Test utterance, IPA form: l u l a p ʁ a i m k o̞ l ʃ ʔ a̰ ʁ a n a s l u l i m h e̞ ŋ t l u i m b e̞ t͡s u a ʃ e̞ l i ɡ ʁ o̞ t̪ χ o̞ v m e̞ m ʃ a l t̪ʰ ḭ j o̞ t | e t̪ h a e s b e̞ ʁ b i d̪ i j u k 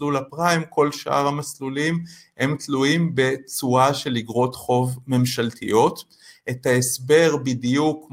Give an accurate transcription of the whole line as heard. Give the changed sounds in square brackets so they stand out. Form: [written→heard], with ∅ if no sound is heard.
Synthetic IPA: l u l a p ʁ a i m k o̞ l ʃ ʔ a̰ ʁ a [n→m] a s l u l i m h e̞ [ŋ→m] t l u i m b e̞ t͡s u a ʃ e̞ l i ɡ ʁ o̞ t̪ χ o̞ v m e̞ m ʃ a l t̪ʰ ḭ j o̞ t | e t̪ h a e s b e̞ ʁ b i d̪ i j u k